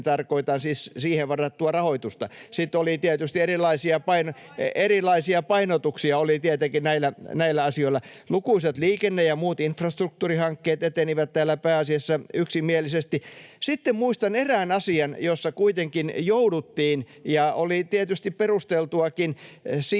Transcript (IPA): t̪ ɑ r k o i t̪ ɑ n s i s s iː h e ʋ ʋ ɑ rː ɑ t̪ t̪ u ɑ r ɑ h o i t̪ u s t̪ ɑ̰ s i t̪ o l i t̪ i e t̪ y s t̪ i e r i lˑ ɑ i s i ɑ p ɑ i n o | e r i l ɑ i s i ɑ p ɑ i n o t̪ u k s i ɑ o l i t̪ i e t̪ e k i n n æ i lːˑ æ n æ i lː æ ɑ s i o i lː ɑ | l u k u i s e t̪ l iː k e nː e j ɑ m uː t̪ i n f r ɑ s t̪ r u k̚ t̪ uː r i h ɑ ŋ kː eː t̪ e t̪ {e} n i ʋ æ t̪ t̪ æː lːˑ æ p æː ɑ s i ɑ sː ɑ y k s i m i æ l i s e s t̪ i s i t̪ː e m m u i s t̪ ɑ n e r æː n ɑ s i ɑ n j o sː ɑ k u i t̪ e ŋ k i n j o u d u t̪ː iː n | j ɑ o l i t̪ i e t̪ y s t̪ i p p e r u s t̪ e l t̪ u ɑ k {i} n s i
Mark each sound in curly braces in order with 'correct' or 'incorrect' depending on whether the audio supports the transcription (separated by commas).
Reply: correct, correct